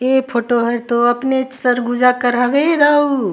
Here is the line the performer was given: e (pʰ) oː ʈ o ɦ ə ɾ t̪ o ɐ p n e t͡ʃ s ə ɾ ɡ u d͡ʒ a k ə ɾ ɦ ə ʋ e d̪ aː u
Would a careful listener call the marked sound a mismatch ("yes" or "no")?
no